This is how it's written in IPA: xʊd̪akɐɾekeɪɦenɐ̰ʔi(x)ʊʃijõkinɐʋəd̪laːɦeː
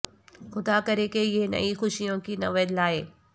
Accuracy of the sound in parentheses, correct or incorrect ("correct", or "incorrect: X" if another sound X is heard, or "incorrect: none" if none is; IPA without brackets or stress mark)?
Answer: correct